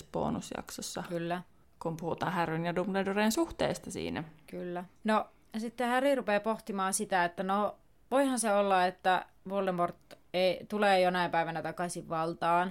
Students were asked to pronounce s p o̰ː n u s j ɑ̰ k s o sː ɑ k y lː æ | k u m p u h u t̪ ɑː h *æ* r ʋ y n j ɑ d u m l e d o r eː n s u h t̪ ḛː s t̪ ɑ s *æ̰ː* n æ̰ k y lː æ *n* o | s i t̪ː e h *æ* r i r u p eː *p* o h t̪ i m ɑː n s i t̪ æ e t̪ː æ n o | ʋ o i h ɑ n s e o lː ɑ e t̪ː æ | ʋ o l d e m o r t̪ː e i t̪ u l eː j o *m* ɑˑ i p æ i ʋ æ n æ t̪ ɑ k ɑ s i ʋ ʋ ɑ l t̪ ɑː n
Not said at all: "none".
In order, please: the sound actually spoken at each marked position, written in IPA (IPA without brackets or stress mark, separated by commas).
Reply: æ, ḭː, n, æ, p, n